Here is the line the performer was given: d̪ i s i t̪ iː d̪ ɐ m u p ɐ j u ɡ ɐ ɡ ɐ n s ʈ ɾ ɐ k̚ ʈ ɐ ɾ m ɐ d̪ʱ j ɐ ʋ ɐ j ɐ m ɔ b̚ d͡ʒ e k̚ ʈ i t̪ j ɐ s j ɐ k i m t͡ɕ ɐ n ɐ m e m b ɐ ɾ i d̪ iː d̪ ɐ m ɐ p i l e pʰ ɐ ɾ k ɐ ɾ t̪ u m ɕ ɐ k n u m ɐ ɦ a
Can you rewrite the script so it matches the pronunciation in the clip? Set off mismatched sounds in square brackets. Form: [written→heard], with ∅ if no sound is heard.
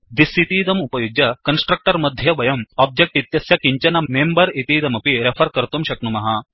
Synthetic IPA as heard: d̪ i s i t̪ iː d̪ ɐ m u p ɐ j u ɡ ɐ [ɡ→k] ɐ n s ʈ ɾ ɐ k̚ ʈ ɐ ɾ m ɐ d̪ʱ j ɐ ʋ ɐ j ɐ m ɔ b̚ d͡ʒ e k̚ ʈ i t̪ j ɐ s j ɐ k i [m→ɲ] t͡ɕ ɐ n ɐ m e m b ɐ ɾ i [d̪→t̪] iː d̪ ɐ m ɐ p i [l→ɾ] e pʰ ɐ ɾ k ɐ ɾ t̪ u m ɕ ɐ k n u m ɐ ɦ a